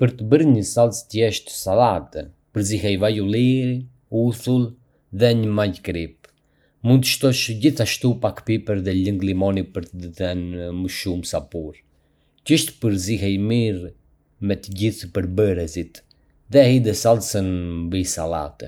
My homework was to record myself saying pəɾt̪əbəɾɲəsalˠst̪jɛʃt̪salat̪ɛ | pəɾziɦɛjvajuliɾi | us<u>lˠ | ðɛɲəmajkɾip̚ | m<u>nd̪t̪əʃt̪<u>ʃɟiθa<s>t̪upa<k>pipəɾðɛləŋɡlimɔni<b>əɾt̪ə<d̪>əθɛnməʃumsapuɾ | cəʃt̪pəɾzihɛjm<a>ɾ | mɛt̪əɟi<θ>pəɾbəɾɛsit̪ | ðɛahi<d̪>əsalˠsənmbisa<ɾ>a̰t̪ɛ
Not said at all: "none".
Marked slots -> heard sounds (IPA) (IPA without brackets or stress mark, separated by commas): u, u, ɔ, ʃ, k, p, d̪, i, θ, d̪, l